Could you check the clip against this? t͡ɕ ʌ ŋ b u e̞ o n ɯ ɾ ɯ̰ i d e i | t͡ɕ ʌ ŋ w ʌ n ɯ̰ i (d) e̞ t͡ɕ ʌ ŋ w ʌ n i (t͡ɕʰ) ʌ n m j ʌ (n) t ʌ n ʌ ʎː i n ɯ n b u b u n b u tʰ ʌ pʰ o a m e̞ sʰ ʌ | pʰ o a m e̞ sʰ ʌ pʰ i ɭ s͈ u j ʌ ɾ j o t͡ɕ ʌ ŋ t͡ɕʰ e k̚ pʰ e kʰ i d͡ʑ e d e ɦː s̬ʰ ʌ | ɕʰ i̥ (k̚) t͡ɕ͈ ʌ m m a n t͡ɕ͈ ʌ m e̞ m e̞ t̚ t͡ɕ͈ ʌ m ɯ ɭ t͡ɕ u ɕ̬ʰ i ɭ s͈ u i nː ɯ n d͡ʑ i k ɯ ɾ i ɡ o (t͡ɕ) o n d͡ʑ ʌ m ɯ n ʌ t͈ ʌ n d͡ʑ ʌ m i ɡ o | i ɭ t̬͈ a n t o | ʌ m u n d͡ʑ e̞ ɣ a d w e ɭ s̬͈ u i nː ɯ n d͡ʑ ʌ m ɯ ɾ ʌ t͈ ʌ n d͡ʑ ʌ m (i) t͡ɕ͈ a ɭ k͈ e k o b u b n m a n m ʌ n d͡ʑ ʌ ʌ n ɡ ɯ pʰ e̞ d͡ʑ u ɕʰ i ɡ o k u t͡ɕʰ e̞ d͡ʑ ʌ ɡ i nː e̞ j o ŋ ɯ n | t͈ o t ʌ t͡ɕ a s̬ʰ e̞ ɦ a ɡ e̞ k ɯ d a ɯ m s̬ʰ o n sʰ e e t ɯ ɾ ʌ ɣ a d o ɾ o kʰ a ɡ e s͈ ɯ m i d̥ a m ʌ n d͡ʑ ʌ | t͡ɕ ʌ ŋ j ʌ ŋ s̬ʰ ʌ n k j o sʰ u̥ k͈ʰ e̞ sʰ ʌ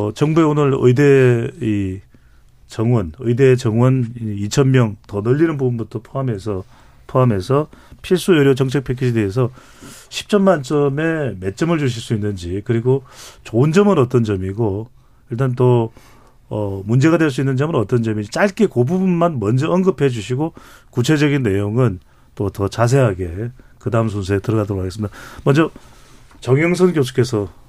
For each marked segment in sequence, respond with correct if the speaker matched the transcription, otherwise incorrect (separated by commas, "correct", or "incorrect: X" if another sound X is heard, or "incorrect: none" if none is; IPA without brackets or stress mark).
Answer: correct, correct, incorrect: ŋ, incorrect: p̚, correct, correct